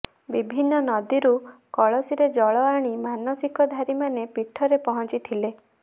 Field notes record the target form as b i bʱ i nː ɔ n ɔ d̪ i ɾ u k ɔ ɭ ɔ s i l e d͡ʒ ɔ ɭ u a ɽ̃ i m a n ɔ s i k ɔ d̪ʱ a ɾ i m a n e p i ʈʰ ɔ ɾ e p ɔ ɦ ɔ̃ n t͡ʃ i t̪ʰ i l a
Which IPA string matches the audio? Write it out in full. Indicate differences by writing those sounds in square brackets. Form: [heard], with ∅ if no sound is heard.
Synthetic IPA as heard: b i bʱ i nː ɔ n ɔ d̪ i ɾ u k ɔ ɭ ɔ s i [ɾ] e d͡ʒ ɔ ɭ [ɔ] a ɽ̃ i m a n ɔ s i k ɔ d̪ʱ a ɾ i m a n e p i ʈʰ ɔ ɾ e p ɔ ɦ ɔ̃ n t͡ʃ i t̪ʰ i l [e]